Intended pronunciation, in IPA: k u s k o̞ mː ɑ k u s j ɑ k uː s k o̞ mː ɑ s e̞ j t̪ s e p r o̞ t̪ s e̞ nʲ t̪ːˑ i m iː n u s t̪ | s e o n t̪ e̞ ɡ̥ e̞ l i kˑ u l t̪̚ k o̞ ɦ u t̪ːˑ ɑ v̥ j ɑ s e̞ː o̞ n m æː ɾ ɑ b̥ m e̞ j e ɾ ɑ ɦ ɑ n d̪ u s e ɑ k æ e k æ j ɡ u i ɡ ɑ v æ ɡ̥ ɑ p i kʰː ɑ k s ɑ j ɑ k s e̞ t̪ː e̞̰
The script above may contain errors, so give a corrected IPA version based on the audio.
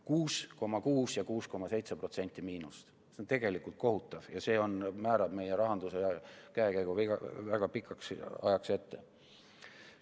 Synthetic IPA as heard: k uː s k o̞ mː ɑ k uː s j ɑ k uː s k o̞ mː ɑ s e̞ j t̪ s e p r o̞ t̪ s e̞ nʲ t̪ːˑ i m iː n u s t̪ | s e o n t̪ e̞ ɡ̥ e̞ l i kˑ u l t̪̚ k o̞ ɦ u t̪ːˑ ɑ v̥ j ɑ s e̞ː o̞ n m æː ɾ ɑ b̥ m e̞ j e ɾ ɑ ɦ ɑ n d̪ u s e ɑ k æ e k æ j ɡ u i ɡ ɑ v æ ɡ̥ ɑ p i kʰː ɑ k s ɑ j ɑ k s e̞ t̪ː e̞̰